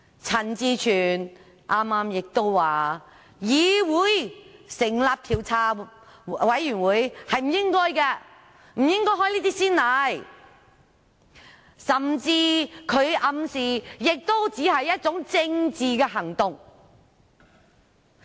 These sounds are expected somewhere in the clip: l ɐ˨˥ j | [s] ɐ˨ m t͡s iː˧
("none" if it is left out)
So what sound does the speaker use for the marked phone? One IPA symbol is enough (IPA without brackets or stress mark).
s